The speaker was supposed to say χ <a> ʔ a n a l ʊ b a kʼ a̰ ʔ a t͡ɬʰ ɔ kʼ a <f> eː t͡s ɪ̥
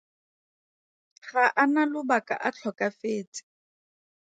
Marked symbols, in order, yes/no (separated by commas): yes, yes